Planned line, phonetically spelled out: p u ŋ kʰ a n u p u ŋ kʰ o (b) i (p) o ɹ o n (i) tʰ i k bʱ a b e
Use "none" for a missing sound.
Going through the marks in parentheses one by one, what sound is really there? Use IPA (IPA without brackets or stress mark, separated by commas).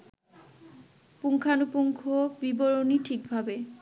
b, b, i